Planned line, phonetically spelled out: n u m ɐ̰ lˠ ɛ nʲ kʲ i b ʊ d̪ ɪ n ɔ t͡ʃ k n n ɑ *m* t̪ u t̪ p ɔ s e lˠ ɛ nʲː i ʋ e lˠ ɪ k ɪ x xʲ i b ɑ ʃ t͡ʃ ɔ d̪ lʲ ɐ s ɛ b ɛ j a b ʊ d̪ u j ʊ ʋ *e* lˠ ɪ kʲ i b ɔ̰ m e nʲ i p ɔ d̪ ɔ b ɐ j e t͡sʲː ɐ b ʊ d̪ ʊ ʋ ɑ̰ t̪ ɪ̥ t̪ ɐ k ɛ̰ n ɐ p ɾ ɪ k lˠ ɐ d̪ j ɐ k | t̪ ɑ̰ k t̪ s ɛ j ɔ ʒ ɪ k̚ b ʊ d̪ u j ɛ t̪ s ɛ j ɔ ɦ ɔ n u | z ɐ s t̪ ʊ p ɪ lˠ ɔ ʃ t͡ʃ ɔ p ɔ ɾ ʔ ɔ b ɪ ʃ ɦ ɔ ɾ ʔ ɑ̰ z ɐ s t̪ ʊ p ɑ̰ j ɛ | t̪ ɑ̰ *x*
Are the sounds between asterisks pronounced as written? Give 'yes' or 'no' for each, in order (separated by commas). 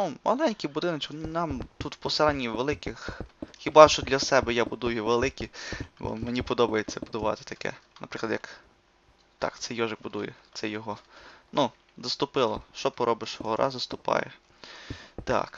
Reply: yes, yes, no